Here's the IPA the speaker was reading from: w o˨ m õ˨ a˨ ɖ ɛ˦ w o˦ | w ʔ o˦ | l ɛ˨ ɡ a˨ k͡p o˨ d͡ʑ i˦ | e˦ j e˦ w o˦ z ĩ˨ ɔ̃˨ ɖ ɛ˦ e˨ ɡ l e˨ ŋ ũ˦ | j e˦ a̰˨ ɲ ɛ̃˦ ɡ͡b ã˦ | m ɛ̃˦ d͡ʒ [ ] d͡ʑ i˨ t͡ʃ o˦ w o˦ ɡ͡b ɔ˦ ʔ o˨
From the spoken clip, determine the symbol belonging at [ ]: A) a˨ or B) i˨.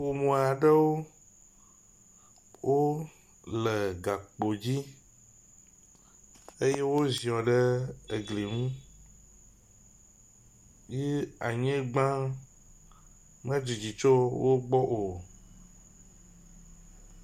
B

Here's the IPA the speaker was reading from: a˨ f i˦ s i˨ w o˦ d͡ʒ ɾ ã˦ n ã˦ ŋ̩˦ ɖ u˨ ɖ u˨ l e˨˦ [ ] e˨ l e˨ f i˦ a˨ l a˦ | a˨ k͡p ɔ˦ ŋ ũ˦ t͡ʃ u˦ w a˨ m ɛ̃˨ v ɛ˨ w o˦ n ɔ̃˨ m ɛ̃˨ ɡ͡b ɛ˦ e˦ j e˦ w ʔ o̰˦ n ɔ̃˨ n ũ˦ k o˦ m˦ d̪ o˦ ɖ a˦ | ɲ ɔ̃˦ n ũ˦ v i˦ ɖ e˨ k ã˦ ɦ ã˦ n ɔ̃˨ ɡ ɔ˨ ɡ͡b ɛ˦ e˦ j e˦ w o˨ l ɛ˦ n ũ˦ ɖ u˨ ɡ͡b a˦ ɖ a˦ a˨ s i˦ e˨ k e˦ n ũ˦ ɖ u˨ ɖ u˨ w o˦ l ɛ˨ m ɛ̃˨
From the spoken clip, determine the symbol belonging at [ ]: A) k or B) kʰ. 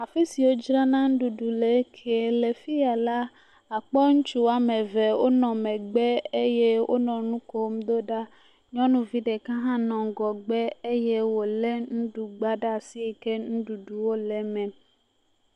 B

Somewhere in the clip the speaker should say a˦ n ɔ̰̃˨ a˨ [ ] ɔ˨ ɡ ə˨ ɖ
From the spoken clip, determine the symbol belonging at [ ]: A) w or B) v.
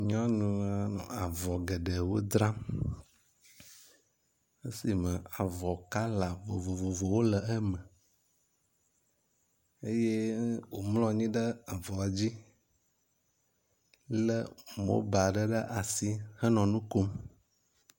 B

